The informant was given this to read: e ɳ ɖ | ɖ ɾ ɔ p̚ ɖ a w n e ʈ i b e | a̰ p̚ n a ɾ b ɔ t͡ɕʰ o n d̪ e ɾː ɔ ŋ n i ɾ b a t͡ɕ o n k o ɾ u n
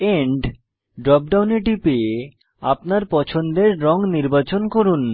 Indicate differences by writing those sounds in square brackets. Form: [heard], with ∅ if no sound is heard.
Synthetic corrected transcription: e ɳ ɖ | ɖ ɾ ɔ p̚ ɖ a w n e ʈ i [p] e | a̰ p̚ n a ɾ [p] ɔ t͡ɕʰ o n d̪ e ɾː ɔ ŋ n i ɾ b a t͡ɕ o n k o ɾ u n